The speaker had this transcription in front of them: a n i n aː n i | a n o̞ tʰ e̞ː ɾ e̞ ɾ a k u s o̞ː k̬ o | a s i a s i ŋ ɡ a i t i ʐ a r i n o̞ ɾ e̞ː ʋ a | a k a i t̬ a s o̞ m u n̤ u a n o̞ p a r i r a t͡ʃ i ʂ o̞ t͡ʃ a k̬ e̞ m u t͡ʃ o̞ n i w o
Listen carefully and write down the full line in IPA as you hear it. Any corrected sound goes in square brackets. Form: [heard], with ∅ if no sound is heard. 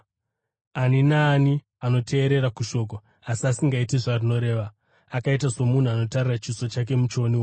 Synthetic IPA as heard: a n i n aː n i | a n o̞ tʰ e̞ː ɾ e̞ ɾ a k u [ʃ] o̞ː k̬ o | a s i a s i ŋ ɡ a i t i ʐ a r i n o̞ ɾ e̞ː ʋ a | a k a i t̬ a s o̞ m u n̤ u a n o̞ [t] a r i r a t͡ʃ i [s] o̞ t͡ʃ a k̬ e̞ m u t͡ʃ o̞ n i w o

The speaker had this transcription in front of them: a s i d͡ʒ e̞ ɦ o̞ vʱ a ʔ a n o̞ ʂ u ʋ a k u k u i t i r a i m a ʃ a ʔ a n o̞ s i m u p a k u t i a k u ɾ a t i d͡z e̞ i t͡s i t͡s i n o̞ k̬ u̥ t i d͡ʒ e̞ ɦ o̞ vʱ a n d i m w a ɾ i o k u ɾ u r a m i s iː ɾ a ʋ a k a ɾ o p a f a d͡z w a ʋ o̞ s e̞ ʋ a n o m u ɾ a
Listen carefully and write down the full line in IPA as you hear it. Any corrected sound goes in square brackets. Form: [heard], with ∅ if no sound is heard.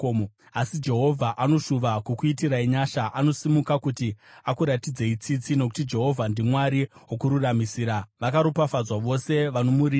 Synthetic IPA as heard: a s i d͡ʒ e̞ ɦ o̞ vʱ a ʔ a n o̞ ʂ u ʋ a k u k u i t i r a i [ɲ] a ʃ a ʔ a n o̞ s i m u [k] a k u t i a k u ɾ a t i d͡z e̞ i t͡s i t͡s i n o̞ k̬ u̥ t i d͡ʒ e̞ ɦ o̞ vʱ a n d i m w a ɾ i o k u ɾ u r a m i s iː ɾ a ʋ a k a ɾ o p a f a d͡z w a ʋ o̞ s e̞ ʋ a n o m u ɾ [i]

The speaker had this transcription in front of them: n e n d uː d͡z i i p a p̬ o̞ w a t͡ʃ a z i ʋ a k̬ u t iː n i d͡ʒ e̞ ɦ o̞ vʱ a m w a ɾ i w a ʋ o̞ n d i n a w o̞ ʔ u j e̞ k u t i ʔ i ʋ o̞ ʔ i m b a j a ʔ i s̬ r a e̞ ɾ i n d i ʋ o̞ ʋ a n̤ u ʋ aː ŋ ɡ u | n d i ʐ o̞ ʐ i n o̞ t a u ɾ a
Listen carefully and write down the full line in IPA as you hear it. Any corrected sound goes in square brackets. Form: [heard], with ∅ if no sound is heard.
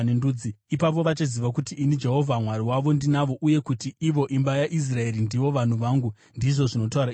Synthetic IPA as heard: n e n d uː d͡z i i p a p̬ o̞ [ʋ] a t͡ʃ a z i ʋ a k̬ u t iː n i d͡ʒ e̞ ɦ o̞ vʱ a m w a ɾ i w a ʋ o̞ n d i n a [ʋ] o̞ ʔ u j e̞ k u t i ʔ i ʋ o̞ ʔ i m b a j a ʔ i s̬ r a e̞ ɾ i n d i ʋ o̞ ʋ a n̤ u ʋ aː ŋ ɡ u | n d i ʐ o̞ ʐ i n o̞ t a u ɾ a

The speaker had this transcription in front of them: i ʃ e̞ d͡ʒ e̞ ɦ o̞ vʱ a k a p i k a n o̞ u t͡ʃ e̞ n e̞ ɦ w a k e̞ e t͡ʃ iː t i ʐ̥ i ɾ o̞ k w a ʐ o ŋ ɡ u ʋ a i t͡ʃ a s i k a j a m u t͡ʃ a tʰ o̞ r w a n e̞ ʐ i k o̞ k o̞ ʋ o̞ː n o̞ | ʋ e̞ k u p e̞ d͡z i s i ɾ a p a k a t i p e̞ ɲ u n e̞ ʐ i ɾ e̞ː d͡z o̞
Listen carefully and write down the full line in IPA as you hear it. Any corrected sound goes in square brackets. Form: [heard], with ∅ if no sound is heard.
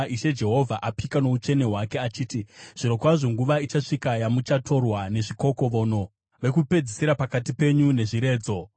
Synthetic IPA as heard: i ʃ e̞ d͡ʒ e̞ ɦ o̞ vʱ a [ʔ] a p i k a n o̞ u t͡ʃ e̞ n e̞ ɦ w a k e̞ [a] t͡ʃ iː t i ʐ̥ i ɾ o̞ k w a ʐ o ŋ ɡ u ʋ a i t͡ʃ a [ʂ] i k a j a m u t͡ʃ a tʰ o̞ r w a n e̞ ʐ i k o̞ k o̞ ʋ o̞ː n o̞ | ʋ e̞ k u p e̞ d͡z i s i ɾ a p a k a t i p e̞ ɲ u n e̞ ʐ i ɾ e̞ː d͡z o̞

